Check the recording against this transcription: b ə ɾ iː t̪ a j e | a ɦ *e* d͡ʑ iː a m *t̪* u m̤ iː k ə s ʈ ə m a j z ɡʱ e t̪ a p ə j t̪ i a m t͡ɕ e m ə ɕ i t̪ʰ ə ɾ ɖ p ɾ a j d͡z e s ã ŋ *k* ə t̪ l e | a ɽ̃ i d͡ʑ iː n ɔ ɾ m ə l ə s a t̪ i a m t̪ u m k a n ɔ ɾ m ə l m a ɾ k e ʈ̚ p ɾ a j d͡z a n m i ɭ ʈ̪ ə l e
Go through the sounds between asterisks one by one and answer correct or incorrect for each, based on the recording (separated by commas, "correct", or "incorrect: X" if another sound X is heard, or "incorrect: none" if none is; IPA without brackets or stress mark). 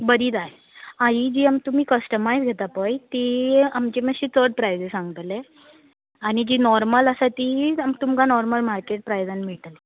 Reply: incorrect: i, correct, incorrect: ɡ